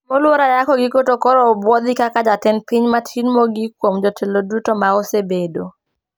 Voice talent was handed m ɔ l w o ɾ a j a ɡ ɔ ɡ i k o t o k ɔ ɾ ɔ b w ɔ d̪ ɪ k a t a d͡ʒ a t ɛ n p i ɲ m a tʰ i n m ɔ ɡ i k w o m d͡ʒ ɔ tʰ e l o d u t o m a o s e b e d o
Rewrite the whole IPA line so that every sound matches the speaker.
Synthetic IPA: m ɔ l w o ɾ a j a k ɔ ɡ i k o t o k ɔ ɾ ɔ b w ɔ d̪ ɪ k a k a d͡ʒ a t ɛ n p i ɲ m a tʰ i n m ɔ ɡ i k w o m d͡ʒ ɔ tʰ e l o d u t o m a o s e b e d o